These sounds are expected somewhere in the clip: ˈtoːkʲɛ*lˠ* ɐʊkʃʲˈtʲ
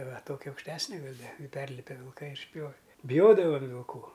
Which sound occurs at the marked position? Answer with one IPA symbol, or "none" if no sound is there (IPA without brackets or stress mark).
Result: none